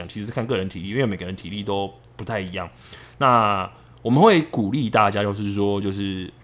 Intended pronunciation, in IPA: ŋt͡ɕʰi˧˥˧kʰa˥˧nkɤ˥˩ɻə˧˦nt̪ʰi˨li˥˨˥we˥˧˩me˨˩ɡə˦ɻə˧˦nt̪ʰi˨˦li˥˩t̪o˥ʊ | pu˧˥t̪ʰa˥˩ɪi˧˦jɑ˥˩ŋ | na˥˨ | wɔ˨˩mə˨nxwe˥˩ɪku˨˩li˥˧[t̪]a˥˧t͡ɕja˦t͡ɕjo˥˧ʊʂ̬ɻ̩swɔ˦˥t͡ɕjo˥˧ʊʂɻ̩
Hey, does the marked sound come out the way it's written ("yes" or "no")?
yes